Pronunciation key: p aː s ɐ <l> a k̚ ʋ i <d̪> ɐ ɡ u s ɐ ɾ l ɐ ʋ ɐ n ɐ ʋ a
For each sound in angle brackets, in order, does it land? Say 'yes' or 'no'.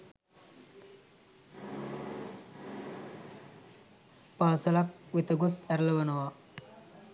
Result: yes, no

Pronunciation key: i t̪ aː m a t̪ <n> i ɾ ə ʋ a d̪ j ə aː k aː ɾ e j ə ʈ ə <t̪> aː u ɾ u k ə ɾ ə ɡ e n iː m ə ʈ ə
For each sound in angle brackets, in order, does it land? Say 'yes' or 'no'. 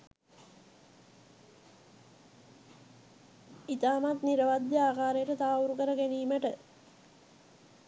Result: yes, yes

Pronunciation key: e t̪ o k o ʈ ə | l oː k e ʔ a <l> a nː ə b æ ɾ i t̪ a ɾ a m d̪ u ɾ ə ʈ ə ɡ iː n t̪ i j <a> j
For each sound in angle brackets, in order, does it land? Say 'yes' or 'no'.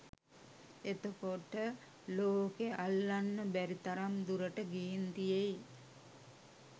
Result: no, no

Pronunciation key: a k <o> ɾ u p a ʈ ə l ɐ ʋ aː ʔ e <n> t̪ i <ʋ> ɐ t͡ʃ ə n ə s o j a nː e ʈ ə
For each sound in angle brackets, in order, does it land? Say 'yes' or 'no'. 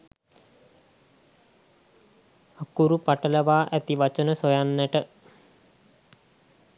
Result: no, no, yes

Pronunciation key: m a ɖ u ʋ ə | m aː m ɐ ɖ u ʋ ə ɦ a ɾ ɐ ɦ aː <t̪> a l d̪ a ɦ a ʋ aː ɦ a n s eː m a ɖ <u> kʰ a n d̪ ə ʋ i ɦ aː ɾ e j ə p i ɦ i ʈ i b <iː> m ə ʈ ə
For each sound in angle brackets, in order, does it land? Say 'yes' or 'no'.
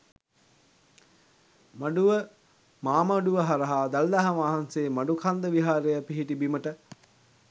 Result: no, yes, no

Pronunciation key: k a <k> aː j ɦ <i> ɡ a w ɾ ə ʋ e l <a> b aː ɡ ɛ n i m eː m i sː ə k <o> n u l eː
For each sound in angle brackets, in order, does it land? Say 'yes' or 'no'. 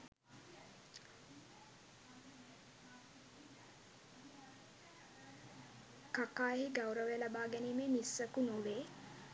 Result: yes, yes, yes, no

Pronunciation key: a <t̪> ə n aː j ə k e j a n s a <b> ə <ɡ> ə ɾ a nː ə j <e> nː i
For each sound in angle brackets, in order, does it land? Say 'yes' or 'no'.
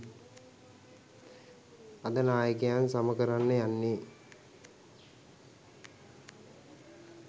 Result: no, no, no, no

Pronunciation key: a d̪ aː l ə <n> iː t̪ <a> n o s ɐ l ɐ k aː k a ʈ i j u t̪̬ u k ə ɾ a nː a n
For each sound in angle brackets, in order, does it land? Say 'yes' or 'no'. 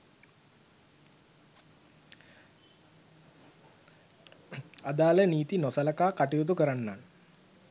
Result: yes, no

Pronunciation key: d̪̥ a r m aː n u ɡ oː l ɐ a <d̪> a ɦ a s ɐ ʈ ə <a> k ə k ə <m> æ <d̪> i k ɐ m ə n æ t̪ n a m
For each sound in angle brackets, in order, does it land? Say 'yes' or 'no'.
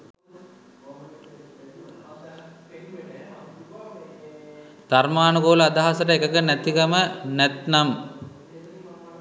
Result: yes, no, no, no

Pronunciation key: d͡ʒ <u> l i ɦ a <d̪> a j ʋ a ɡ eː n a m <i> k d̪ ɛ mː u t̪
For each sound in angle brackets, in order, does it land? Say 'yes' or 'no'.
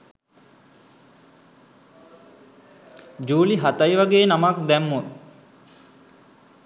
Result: no, no, no

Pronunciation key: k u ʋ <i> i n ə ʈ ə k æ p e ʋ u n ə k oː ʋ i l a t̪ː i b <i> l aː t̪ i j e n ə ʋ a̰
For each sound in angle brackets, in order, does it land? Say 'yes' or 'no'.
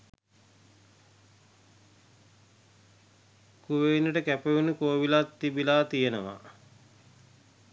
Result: no, yes

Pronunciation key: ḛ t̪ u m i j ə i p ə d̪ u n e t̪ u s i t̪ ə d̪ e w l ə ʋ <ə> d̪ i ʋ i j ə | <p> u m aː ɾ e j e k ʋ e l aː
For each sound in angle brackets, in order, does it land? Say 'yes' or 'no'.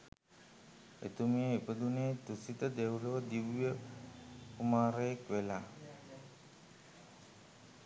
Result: yes, no

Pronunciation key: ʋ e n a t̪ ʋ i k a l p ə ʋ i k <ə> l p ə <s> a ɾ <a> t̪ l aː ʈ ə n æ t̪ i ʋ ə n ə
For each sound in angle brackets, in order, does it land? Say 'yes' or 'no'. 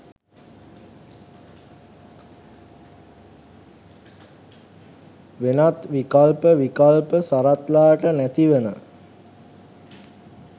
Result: no, yes, yes

